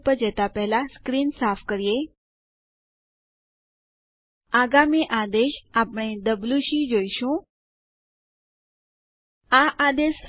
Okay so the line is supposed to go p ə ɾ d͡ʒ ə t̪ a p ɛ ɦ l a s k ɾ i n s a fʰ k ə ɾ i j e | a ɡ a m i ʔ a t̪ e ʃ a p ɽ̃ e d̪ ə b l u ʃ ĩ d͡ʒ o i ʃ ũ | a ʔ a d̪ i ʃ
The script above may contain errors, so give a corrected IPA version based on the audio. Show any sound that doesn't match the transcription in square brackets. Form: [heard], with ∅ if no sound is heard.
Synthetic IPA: p ə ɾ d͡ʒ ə t̪ a p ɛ ɦ l a s k ɾ i n s a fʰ k ə ɾ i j e | a ɡ a m i ʔ a [d̪] e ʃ a p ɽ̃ e d̪ ə b l u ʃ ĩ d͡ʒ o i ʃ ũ | a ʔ a d̪ [e] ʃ